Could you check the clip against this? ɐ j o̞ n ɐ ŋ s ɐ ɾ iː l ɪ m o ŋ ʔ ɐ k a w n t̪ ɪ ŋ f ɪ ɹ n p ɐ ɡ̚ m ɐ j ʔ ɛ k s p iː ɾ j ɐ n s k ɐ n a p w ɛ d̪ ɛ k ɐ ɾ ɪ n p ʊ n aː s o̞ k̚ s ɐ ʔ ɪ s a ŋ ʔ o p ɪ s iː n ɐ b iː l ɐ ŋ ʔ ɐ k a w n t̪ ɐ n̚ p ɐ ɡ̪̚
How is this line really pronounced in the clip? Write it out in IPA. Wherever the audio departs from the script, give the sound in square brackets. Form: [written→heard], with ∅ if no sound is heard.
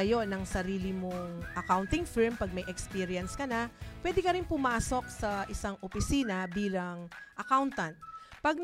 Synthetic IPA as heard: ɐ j o̞ n ɐ ŋ s ɐ ɾ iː l ɪ m o ŋ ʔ ɐ k a w n t̪ ɪ ŋ f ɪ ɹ [n→m] p ɐ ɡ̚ m ɐ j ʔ ɛ k s p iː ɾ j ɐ n s k ɐ n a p w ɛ d̪ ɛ k ɐ ɾ ɪ n p ʊ [n→m] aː s o̞ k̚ s ɐ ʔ ɪ s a ŋ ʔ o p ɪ s iː n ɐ b iː l ɐ ŋ ʔ ɐ k a w n t̪ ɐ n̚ p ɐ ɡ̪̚